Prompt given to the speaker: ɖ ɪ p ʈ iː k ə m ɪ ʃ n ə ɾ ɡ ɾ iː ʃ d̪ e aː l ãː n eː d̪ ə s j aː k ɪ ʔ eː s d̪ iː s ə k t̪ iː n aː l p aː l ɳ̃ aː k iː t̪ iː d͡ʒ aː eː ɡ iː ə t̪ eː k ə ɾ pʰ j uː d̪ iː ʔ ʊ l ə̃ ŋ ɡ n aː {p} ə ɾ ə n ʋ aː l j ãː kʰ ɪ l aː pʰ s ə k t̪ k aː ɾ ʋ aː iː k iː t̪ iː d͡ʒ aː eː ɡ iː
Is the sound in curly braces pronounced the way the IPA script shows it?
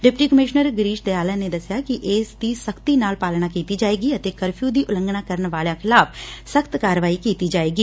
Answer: no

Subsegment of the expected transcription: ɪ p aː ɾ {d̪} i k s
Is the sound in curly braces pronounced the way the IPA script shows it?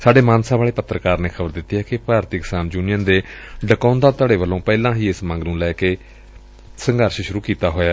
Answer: no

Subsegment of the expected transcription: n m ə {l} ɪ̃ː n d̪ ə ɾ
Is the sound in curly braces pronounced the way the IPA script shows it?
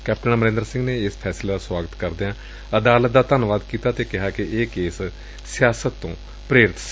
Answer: no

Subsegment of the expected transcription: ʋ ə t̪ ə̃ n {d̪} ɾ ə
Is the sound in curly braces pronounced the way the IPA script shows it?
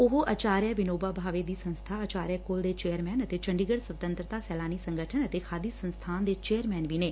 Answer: no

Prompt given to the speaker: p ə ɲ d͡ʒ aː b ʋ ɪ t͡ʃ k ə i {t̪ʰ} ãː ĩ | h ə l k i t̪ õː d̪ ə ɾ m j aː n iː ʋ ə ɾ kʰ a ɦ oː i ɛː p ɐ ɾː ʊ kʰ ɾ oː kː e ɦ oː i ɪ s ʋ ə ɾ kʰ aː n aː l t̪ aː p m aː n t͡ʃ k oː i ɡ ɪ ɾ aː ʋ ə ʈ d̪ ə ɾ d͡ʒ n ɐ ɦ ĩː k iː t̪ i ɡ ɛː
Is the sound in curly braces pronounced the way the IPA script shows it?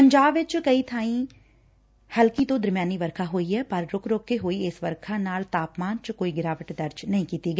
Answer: yes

